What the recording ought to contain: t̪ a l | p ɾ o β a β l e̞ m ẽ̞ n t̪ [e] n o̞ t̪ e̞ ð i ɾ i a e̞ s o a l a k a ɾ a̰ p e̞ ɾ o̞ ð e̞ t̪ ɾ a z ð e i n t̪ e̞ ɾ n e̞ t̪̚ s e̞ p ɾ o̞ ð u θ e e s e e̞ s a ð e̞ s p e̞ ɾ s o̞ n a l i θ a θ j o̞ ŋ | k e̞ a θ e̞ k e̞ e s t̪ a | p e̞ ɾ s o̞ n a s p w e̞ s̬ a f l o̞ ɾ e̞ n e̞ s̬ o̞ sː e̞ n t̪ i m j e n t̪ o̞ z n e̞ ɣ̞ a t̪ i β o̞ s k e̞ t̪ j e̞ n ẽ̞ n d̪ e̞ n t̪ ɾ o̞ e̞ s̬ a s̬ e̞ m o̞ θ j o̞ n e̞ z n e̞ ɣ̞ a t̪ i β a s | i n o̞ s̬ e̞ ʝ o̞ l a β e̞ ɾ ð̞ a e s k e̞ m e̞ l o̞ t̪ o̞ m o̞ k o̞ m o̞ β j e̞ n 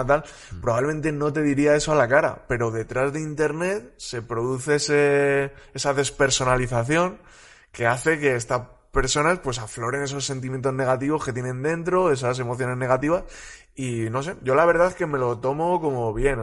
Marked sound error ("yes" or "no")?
no